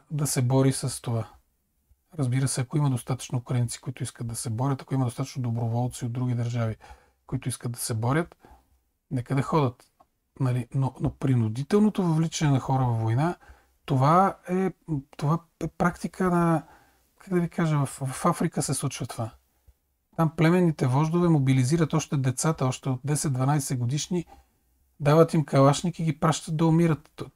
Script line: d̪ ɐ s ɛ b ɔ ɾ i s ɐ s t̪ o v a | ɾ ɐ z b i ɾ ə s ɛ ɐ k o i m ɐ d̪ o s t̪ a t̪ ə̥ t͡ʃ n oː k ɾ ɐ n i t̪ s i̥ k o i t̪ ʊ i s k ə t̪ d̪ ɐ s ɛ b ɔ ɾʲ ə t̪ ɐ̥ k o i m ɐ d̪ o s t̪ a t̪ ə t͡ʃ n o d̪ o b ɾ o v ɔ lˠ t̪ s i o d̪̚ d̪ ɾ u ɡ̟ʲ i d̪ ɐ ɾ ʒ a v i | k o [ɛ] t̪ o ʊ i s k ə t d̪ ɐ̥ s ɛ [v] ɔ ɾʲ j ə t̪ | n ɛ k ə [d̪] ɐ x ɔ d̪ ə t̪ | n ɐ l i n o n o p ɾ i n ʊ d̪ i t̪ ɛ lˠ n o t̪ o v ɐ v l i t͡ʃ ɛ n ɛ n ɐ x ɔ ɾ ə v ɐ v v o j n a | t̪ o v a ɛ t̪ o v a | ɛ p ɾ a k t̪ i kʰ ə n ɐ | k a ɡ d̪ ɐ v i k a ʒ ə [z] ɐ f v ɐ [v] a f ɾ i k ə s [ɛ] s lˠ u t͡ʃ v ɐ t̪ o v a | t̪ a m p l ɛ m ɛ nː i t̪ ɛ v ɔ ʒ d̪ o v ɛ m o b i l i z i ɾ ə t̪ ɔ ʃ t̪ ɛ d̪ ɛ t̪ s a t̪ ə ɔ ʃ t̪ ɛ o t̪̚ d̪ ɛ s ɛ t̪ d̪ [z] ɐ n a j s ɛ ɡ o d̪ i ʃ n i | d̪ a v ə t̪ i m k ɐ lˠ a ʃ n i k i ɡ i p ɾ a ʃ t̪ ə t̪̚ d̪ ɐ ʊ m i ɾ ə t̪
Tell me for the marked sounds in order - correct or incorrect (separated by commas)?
incorrect, incorrect, correct, incorrect, incorrect, correct, incorrect